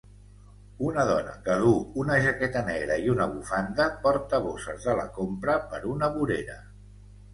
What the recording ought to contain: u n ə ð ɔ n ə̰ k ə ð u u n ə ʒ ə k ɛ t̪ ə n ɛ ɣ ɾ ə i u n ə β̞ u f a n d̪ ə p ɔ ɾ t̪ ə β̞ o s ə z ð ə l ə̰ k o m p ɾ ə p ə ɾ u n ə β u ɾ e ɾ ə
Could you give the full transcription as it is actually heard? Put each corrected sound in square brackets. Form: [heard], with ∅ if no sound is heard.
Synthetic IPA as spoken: u n ə ð ɔ n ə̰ k ə ð u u n ə ʒ ə k ɛ t̪ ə n ɛ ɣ ɾ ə i u n ə β̞ u f a n d̪ ə p ɔ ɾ t̪ ə β̞ o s ə z ð ə l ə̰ k o m p ɾ ə p ə ɾ u n ə β u ɾ e ɾ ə